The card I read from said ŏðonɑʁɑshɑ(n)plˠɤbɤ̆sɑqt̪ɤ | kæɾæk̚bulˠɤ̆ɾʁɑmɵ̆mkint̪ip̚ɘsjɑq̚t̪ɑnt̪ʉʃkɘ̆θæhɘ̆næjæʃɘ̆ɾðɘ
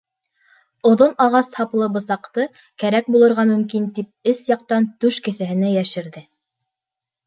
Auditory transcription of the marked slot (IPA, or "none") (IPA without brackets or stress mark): none